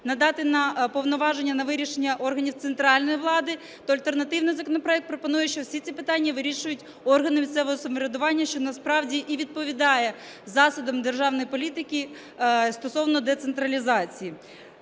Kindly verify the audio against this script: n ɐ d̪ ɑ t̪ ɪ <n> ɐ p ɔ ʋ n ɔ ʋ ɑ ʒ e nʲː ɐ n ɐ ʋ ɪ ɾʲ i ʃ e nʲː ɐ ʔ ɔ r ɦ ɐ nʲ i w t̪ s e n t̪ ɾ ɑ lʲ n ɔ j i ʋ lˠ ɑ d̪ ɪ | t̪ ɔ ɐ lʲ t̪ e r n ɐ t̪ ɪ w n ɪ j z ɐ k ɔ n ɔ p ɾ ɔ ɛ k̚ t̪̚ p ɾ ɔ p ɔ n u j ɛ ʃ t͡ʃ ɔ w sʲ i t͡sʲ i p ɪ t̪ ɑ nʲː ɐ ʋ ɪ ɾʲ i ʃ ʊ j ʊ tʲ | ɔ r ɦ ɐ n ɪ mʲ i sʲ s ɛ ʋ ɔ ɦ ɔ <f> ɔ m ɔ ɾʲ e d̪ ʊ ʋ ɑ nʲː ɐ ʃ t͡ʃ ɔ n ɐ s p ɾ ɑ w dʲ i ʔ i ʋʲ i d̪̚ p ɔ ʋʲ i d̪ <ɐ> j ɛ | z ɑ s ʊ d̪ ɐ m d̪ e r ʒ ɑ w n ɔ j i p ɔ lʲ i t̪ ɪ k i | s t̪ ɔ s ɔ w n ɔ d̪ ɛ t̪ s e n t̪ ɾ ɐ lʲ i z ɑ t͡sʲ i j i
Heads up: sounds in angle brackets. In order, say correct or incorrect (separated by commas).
correct, incorrect, incorrect